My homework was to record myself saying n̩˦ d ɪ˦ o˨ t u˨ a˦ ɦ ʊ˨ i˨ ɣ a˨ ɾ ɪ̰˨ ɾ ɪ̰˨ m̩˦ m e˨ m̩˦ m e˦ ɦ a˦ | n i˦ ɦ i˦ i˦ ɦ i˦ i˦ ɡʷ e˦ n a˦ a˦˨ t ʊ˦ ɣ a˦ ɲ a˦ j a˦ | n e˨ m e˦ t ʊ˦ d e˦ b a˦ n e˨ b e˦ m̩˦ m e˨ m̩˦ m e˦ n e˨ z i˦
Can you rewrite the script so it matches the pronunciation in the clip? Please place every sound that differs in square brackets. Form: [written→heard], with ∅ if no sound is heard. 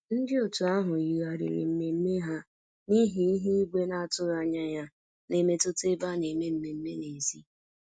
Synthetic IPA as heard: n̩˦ d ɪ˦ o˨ t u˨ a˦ ɦ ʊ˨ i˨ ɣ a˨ ɾ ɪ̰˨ ɾ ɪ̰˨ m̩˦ m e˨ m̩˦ m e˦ ɦ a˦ | n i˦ ɦ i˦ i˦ ɦ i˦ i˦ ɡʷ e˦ n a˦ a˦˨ t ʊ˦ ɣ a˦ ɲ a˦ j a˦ | n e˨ m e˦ t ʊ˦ [d→t] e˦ b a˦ n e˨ [b→m] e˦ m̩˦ m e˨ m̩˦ m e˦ n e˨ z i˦